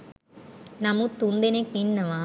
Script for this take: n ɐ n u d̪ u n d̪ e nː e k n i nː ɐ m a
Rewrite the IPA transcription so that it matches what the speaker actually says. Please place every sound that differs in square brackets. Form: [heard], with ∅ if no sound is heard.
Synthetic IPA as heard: n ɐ [m] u [t̪] u n d̪ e [n] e k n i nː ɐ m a